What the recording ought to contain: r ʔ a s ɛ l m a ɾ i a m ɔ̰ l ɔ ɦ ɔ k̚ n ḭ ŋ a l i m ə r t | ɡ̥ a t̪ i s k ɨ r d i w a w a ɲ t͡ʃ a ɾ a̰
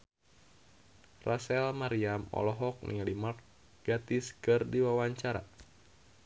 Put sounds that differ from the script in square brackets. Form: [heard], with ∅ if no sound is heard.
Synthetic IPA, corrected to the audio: r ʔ a s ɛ l m a ɾ i a m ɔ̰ l ɔ ɦ ɔ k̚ n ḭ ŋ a l i m [a] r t | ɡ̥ a t̪ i s k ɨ r d i w a w a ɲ t͡ʃ a ɾ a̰